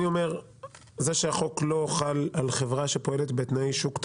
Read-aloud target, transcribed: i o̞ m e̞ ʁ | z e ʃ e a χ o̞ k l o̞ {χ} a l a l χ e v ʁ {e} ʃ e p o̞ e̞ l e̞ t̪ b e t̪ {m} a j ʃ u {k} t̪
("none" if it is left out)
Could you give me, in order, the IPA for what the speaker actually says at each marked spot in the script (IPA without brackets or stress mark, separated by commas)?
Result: χ, a, n, k